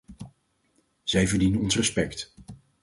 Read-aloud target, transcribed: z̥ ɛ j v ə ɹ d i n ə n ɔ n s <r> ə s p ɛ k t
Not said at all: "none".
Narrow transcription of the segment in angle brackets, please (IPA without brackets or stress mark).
r